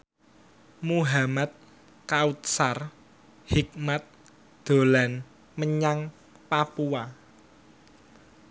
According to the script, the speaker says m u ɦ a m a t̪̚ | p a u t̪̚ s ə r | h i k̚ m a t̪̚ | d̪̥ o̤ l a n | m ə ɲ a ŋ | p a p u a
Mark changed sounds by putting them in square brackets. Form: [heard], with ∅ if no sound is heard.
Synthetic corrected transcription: m u ɦ a m a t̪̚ | [k] a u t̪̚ s [a] r | h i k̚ m a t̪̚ | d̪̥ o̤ l a n | m ə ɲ a ŋ | p a p u a